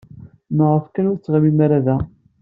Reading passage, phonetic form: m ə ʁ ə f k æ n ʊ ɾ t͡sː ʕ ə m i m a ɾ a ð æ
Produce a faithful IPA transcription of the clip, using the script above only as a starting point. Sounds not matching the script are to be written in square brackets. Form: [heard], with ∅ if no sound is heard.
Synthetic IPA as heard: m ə ʁ ə f k æ n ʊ ɾ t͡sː [ʁ] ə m i m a ɾ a ð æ